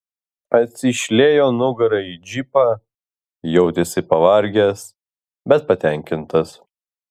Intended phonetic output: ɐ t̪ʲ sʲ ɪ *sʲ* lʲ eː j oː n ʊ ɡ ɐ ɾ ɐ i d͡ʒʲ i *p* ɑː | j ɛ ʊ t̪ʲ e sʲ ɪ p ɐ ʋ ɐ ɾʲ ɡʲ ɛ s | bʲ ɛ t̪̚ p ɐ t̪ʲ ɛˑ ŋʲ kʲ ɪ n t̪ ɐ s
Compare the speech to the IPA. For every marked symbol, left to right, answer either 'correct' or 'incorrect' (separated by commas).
incorrect, correct